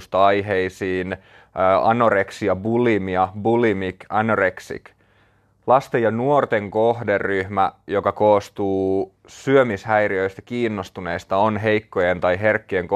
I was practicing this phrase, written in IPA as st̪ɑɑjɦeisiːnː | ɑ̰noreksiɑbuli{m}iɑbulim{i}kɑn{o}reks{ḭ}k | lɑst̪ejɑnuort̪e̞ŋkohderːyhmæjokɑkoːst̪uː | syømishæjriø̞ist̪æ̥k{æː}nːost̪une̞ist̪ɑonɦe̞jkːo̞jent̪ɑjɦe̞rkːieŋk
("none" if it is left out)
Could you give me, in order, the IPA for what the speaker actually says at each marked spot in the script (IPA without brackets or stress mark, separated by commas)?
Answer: m, i, o, ḭ, iː